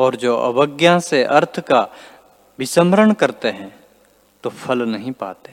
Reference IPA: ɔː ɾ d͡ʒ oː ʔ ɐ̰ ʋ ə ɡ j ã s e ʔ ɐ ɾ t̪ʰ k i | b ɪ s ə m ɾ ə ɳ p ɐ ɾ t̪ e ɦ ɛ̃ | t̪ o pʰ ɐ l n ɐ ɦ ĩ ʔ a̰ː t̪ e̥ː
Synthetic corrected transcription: ɔː ɾ d͡ʒ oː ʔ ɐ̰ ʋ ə ɡ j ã s e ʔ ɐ ɾ t̪ʰ k a | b ɪ s ə m ɾ ə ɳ k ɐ ɾ t̪ e ɦ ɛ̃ | t̪ o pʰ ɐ l n ɐ ɦ ĩ p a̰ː t̪ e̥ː